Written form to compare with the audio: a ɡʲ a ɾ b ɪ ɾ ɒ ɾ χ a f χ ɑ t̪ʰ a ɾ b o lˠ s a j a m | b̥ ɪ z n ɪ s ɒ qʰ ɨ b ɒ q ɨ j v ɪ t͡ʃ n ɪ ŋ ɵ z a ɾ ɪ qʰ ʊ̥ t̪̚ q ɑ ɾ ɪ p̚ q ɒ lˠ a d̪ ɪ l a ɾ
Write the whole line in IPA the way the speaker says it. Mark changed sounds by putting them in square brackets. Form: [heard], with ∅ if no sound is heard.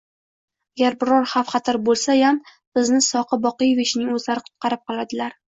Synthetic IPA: a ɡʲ a ɾ b ɪ ɾ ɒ ɾ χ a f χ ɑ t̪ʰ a ɾ b o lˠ s a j a m | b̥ ɪ z n ɪ s ɒ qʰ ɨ b ɒ q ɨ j v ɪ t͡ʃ n ɪ ŋ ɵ z a ɾ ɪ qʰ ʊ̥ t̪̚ q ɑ ɾ ɪ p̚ q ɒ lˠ a d̪ ɪ l a ɾ